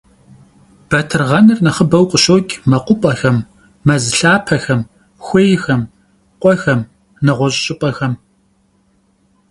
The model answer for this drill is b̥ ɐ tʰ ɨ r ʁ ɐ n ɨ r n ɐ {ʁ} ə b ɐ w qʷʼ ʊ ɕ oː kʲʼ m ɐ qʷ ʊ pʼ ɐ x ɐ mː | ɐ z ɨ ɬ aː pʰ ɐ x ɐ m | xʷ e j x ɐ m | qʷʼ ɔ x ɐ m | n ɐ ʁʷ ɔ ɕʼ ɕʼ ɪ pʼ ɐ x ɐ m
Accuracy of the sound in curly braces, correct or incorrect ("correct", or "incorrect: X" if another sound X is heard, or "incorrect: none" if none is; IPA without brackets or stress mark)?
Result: incorrect: χ